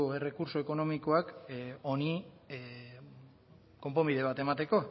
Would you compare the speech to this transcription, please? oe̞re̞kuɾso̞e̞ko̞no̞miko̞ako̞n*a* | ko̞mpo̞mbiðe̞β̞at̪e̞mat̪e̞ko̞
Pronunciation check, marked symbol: incorrect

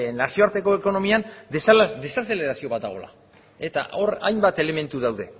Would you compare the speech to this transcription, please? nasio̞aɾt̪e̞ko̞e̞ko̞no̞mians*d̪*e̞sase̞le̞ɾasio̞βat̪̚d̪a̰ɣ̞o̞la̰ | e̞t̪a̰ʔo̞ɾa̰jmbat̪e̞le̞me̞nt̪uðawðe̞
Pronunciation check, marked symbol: correct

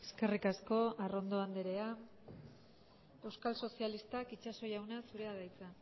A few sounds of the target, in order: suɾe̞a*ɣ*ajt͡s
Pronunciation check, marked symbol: incorrect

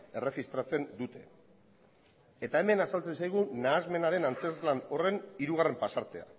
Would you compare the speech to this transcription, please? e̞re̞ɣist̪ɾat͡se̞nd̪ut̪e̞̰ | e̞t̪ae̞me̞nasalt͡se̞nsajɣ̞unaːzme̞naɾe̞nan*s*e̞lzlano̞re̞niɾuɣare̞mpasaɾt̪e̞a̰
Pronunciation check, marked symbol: incorrect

